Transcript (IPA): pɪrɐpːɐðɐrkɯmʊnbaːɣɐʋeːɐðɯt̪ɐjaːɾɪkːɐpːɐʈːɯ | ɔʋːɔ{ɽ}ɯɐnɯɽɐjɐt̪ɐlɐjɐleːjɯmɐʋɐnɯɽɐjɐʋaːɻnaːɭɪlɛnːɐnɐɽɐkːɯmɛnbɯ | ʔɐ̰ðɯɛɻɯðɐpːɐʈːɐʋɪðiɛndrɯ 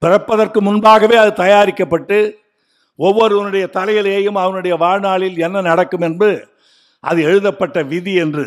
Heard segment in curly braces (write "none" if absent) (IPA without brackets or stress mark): ɾ